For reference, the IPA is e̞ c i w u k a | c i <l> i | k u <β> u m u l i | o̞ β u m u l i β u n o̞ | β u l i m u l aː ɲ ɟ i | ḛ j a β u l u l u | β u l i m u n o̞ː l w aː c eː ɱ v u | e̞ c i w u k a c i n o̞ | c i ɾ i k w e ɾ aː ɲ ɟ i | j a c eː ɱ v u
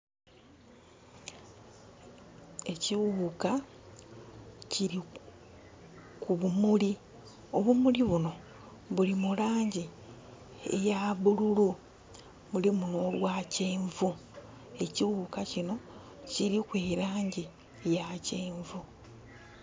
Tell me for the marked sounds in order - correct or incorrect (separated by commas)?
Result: incorrect, correct